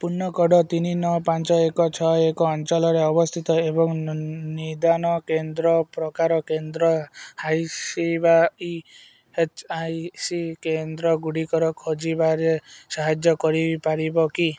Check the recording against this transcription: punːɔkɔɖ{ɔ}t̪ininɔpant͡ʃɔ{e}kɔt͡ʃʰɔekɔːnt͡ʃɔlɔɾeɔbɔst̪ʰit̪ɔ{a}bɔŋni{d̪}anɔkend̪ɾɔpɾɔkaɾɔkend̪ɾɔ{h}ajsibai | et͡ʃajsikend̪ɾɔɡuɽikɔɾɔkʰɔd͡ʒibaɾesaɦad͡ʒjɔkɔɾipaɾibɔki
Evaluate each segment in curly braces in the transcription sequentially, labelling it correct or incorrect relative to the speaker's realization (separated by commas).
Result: correct, correct, incorrect, correct, correct